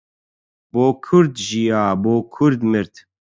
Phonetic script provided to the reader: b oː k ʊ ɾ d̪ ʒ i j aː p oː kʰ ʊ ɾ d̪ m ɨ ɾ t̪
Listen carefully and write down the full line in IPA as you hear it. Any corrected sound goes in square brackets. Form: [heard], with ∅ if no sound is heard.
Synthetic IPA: b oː [kʰ] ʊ ɾ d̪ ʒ i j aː [b] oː kʰ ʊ ɾ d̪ m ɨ ɾ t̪